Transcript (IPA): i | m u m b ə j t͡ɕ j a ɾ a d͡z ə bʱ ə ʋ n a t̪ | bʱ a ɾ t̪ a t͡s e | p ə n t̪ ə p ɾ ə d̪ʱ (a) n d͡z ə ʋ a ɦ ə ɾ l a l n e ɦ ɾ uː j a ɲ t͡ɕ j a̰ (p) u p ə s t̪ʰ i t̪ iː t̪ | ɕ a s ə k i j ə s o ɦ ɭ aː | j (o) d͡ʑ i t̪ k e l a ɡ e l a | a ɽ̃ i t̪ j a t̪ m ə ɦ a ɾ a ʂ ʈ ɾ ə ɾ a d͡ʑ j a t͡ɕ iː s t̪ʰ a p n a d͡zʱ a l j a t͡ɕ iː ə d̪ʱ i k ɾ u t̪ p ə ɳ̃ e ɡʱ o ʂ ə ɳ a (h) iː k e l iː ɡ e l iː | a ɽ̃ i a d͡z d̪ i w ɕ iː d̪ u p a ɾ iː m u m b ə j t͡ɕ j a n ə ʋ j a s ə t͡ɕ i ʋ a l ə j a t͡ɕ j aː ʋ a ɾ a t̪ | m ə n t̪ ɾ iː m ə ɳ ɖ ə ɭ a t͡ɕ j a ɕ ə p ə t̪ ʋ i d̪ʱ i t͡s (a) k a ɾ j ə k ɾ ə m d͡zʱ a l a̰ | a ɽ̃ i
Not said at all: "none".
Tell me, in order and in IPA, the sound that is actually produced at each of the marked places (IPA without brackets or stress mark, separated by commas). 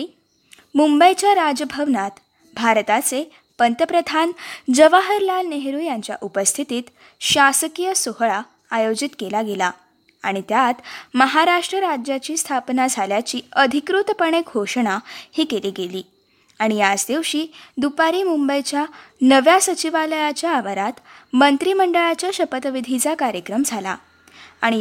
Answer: a, ʔ, o, h, a